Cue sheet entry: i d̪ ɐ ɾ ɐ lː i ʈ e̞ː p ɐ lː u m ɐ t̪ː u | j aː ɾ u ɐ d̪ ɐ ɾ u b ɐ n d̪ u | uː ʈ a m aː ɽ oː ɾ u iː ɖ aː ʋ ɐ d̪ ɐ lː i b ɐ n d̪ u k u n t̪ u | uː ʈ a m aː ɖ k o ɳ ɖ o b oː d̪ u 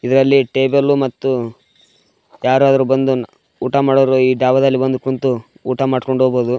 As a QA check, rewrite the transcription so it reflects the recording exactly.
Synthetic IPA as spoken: i d̪ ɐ ɾ ɐ lː i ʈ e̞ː b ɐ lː u m ɐ t̪ː u | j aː ɾ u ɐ d̪ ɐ ɾ u b ɐ n d̪ u | uː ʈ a m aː ɽ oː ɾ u iː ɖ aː ʋ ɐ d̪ ɐ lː i b ɐ n d̪ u k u n t̪ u | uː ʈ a m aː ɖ k o ɳ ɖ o b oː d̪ u